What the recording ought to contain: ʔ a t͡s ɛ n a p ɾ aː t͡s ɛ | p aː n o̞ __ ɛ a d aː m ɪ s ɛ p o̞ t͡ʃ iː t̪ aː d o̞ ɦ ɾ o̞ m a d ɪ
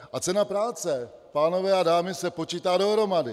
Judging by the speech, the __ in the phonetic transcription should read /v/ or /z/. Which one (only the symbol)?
v